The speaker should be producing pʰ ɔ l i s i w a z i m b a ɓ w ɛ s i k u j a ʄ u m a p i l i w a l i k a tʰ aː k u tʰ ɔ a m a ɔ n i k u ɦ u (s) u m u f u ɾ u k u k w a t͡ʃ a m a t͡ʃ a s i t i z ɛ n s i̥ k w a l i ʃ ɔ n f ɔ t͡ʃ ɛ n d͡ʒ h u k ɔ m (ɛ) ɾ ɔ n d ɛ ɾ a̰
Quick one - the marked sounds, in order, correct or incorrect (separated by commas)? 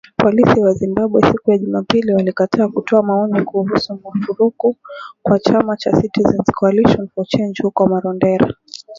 correct, incorrect